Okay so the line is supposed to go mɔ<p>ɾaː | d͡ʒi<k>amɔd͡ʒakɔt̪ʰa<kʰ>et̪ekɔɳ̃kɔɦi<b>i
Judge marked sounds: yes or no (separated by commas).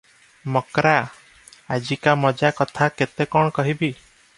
no, yes, no, yes